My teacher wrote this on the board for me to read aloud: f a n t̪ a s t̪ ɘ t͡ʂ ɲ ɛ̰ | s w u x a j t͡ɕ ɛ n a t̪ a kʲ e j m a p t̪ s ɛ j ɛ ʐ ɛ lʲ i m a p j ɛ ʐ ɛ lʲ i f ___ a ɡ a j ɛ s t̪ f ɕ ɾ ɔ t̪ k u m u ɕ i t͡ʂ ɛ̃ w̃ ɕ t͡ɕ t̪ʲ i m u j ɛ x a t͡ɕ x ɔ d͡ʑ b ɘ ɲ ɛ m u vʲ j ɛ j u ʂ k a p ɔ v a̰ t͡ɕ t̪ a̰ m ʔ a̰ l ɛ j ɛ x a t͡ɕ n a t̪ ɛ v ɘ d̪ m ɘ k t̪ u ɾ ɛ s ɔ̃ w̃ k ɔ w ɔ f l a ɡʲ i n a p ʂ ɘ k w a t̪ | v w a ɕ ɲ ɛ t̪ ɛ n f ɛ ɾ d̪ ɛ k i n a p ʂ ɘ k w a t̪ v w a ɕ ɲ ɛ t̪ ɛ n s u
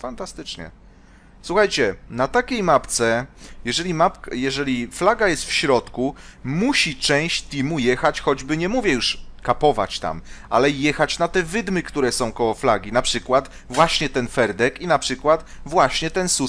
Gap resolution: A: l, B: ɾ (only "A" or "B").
A